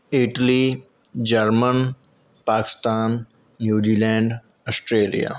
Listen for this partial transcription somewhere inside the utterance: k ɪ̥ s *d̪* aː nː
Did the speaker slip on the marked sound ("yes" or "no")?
yes